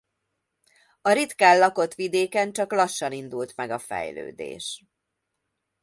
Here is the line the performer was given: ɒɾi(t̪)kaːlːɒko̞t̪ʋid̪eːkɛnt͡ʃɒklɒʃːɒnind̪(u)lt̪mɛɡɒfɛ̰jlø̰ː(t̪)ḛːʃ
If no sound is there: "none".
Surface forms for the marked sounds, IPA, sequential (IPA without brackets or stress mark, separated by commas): t̪, u, d̪